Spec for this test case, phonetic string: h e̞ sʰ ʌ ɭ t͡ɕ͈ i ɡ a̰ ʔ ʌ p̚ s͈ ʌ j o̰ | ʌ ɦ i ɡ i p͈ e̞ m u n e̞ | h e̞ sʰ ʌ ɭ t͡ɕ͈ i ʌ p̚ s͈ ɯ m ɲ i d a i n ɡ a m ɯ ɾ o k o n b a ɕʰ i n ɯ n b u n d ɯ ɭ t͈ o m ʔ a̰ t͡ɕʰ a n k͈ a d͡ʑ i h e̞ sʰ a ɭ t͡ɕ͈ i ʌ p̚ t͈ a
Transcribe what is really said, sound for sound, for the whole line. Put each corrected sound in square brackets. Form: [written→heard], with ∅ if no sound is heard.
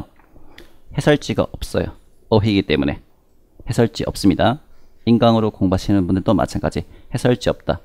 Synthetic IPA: h e̞ sʰ ʌ ɭ t͡ɕ͈ i ɡ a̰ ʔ ʌ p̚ s͈ ʌ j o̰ | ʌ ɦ i ɡ i [p͈→t͈] e̞ m u n e̞ | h e̞ sʰ ʌ ɭ t͡ɕ͈ i ʌ p̚ s͈ ɯ m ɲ i d a i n ɡ a [m→ŋ] ɯ ɾ o k o [n→ŋ] b a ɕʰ i n ɯ n b u n d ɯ ɭ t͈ o m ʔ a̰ t͡ɕʰ a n k͈ a d͡ʑ i h e̞ sʰ [a→ʌ] ɭ t͡ɕ͈ i ʌ p̚ t͈ a